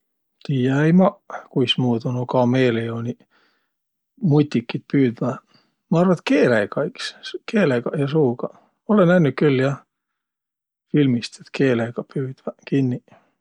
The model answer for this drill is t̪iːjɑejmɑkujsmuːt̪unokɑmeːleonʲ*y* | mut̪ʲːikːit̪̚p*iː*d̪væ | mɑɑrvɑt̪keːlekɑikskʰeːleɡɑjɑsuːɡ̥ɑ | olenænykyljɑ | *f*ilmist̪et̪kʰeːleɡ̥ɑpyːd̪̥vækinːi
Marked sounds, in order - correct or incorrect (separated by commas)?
incorrect, incorrect, correct